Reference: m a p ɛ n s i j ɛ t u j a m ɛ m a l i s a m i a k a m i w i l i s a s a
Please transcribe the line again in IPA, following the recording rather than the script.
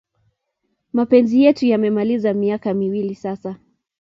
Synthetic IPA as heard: m a p ɛ n z i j ɛ t u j a m ɛ m a l i z a m i a k a m i w i l i s a s a